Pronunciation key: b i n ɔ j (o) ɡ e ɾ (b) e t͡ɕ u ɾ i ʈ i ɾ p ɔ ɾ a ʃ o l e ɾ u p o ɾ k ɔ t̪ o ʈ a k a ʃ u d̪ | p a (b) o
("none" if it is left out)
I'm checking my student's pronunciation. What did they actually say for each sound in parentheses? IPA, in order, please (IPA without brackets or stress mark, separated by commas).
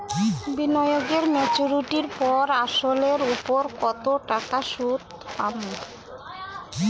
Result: o, m, m